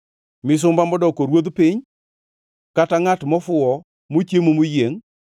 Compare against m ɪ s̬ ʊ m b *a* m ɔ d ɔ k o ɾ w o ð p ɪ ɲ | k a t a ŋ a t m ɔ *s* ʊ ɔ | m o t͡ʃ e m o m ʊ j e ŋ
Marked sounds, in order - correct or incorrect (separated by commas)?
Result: correct, incorrect